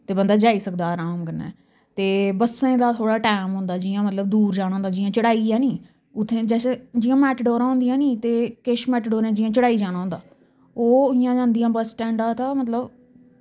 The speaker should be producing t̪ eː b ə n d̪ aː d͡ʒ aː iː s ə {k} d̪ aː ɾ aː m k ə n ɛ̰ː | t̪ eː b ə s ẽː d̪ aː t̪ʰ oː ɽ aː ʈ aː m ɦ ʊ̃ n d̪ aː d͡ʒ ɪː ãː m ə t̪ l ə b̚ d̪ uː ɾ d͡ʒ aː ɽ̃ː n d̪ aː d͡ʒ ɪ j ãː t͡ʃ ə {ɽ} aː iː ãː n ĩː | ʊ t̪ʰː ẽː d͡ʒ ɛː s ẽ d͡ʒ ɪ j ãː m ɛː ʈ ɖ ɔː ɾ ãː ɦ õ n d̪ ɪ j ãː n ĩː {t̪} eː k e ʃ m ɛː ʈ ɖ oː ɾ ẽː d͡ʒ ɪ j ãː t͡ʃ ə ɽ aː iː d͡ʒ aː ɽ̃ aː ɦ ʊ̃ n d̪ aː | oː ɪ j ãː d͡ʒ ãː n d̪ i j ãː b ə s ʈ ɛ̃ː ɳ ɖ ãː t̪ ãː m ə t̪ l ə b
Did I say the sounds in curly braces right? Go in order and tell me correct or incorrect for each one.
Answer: correct, correct, correct

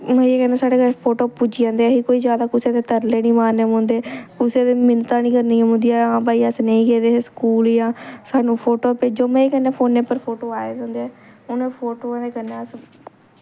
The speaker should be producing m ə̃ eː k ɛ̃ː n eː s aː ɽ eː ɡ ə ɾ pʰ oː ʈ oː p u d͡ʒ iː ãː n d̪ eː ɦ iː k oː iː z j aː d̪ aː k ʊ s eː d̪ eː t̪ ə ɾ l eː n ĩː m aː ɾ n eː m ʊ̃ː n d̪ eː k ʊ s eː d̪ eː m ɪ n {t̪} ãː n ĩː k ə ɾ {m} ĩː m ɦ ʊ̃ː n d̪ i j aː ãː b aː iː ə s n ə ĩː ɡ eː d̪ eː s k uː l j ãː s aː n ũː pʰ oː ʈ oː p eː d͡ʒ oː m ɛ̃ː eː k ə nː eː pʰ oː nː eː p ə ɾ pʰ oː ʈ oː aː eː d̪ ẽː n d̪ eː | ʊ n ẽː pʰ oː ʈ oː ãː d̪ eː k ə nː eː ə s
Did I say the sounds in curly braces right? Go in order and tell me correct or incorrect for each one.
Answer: correct, incorrect: n

